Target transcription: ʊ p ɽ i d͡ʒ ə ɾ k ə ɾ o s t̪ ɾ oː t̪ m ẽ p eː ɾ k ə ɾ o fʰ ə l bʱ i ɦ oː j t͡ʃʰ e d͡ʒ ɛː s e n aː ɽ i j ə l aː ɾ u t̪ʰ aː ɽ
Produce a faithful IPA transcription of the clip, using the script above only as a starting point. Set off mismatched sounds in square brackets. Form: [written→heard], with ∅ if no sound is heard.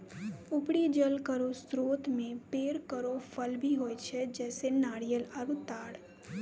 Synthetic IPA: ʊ p ɽ i d͡ʒ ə [ɾ→l] k ə ɾ o s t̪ ɾ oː t̪ m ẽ p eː ɾ k ə ɾ o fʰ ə l bʱ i ɦ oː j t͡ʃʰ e d͡ʒ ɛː s e n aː ɽ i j ə l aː ɾ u [t̪ʰ→t̪] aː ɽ